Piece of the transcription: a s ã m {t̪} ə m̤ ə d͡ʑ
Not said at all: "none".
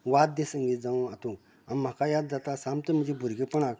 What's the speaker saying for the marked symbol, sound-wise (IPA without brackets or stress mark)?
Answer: t̪